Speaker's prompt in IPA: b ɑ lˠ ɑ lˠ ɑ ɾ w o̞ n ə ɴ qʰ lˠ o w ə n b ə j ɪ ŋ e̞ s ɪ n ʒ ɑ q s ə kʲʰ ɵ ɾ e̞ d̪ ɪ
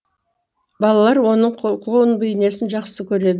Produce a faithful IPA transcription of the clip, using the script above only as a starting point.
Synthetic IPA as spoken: b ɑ lˠ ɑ lˠ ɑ ɾ w o̞ n ə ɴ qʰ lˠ o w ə n b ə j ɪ n e̞ s ɪ n ʒ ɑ q s ə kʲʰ ɵ ɾ e̞ d̪ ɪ